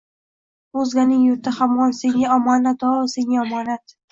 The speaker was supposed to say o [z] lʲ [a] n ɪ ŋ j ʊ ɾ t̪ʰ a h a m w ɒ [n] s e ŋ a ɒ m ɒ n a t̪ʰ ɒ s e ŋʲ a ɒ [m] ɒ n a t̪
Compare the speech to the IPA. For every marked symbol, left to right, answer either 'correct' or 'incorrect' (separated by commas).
correct, correct, correct, correct